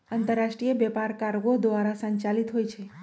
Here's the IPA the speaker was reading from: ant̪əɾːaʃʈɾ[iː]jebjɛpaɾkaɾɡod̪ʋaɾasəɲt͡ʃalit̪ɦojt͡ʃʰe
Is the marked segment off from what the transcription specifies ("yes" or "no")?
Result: yes